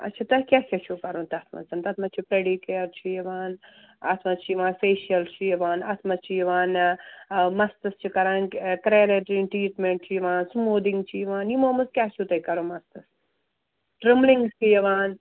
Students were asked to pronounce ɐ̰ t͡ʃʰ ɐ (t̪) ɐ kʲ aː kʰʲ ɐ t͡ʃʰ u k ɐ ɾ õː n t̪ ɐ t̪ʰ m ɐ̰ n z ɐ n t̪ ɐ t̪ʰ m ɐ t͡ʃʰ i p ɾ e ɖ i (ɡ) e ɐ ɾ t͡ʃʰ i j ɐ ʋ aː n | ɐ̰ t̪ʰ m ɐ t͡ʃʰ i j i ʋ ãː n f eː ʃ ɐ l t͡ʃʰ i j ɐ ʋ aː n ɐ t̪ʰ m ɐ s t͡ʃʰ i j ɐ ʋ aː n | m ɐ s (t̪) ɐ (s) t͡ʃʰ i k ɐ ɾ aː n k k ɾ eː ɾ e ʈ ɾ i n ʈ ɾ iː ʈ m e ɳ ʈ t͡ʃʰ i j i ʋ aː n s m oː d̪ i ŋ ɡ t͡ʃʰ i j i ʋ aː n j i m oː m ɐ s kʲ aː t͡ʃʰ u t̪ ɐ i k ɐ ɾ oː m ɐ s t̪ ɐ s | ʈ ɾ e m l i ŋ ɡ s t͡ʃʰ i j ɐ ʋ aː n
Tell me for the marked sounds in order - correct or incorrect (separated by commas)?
correct, incorrect, correct, correct